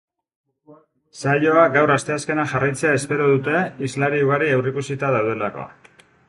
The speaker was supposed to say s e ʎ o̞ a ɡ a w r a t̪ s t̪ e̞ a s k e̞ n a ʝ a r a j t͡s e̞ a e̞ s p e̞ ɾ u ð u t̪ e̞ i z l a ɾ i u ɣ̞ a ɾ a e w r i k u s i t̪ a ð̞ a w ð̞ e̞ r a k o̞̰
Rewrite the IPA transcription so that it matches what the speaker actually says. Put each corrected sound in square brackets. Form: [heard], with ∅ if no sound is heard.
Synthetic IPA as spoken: s [a] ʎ o̞ a ɡ a w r a [∅] s t̪ e̞ a s k e̞ n a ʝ a r a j t͡s e̞ a e̞ s p e̞ ɾ [o] ð u t̪ e̞ i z l a ɾ i u ɣ̞ a ɾ [i] e w r i k u s i t̪ a ð̞ a w ð̞ e̞ [l] a k o̞̰